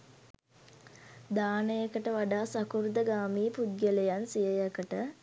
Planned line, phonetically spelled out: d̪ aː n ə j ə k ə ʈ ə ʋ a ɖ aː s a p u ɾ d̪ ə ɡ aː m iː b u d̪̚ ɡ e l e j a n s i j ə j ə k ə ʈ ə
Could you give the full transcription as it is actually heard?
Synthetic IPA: d̪ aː n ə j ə k ə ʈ ə ʋ a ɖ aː s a k u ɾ d̪ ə ɡ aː m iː p u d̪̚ ɡ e l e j a n s i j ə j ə k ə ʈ ə